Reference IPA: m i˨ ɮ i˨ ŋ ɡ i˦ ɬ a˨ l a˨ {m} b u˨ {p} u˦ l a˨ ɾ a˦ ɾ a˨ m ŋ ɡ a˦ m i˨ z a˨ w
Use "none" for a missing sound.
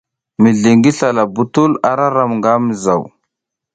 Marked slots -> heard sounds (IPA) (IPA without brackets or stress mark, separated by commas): none, t